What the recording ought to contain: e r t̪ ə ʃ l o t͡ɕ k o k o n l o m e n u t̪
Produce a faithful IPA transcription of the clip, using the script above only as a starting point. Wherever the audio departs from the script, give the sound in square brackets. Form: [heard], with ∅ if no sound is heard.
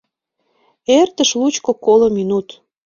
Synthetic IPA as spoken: e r t̪ ə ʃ l [u] t͡ɕ k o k o [∅] l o m [i] n u t̪